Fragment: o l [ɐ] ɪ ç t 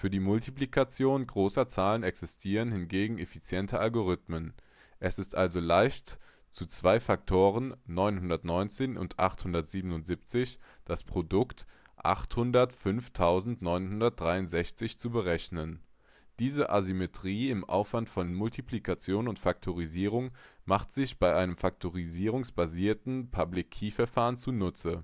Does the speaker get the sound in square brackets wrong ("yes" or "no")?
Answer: yes